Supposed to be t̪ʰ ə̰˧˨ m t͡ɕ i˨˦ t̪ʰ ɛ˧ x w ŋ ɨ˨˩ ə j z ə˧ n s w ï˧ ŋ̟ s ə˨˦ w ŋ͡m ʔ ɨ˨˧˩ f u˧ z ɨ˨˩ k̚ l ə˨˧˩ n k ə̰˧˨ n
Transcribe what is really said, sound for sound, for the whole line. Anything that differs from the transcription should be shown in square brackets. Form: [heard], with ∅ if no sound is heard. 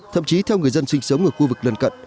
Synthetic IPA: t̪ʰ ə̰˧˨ m t͡ɕ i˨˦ t̪ʰ ɛ˧ [∅] w ŋ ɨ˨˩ ə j z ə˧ n s w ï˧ ŋ̟ s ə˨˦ w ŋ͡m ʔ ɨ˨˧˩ [x] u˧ [v] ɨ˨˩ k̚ l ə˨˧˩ n k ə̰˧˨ n